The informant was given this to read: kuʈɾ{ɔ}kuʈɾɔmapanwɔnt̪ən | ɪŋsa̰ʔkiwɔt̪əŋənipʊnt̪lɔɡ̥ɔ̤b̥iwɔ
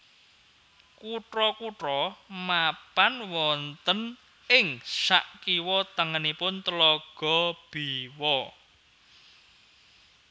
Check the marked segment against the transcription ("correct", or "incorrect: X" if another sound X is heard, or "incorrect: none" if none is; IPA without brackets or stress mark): correct